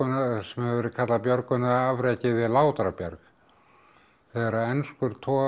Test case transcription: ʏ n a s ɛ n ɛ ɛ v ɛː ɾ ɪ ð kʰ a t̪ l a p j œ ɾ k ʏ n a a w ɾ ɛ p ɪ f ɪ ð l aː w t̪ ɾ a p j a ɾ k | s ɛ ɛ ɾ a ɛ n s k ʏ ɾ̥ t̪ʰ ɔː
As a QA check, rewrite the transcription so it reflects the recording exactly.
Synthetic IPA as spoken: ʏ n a s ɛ m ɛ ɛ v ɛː ɾ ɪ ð kʰ a t̪ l a p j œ ɾ k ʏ n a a v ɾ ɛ c ɪ v ɪ ð l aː w t̪ ɾ a p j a ɾ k | θ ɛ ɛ ɾ a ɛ n s k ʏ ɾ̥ t̪ʰ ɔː